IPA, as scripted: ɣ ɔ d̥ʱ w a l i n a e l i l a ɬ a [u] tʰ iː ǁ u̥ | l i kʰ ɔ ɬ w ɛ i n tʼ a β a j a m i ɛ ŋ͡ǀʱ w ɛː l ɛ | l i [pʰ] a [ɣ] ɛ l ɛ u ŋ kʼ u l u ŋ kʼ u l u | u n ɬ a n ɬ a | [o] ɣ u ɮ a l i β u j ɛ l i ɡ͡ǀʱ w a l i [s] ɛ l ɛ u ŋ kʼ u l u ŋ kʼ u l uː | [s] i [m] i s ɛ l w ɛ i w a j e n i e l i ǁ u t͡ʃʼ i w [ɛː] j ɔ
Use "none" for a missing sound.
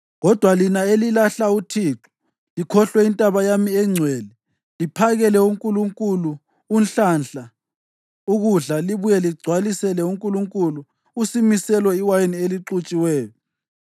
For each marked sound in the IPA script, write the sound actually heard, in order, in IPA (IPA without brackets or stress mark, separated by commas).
u, pʰ, ɣ, u, s, s, m, ɛː